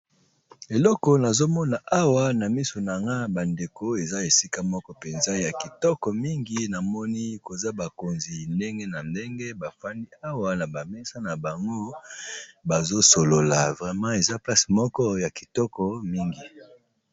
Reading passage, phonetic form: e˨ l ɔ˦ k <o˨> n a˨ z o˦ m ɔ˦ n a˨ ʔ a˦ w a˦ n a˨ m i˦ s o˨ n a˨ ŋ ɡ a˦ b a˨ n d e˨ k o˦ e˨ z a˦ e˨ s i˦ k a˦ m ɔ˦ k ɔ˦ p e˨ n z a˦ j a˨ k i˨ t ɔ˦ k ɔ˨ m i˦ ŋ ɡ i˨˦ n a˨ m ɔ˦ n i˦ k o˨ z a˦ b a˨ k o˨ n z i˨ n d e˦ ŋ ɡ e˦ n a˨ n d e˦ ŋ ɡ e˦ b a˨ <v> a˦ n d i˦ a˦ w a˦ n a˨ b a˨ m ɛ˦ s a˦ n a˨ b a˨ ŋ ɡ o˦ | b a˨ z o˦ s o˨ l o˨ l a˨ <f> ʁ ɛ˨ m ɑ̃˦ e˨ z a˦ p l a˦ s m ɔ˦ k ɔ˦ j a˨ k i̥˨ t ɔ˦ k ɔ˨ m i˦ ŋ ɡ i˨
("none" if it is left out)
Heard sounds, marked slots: ɔ˨, f, v

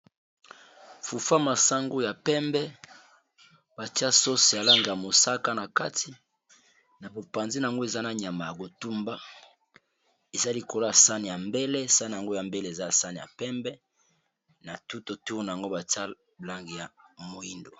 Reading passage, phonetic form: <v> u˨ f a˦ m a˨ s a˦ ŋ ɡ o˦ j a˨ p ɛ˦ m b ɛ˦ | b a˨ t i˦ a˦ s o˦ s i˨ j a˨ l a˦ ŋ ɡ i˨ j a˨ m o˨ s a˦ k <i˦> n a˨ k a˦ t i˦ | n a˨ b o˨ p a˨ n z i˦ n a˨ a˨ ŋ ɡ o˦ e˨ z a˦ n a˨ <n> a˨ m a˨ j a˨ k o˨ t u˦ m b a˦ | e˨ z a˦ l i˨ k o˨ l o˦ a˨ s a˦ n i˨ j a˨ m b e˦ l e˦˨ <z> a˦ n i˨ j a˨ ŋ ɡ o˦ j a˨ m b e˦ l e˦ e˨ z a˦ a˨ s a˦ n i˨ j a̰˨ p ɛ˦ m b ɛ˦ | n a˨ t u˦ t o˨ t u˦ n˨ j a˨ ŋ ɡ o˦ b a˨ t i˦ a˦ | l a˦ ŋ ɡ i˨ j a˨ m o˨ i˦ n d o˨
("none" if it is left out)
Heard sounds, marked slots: f, a˦, ɲ, s

